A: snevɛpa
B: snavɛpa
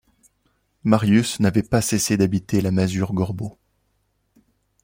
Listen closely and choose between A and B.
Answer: B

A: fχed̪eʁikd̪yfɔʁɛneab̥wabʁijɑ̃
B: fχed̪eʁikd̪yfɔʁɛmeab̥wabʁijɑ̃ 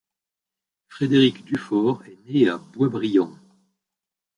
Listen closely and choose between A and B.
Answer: A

